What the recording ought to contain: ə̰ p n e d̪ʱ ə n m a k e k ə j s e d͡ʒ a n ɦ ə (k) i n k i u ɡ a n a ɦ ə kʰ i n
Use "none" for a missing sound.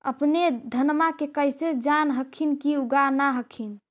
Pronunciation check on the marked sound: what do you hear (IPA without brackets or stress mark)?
kʰ